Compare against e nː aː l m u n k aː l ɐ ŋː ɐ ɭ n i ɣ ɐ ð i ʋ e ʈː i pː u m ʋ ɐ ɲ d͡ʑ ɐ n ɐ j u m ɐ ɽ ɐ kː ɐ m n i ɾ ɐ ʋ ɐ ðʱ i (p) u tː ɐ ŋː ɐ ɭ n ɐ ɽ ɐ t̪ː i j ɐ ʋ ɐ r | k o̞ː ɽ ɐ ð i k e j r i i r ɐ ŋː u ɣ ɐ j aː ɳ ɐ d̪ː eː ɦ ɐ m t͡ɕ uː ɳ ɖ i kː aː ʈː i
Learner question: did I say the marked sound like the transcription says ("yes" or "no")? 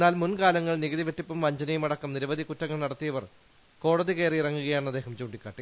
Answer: no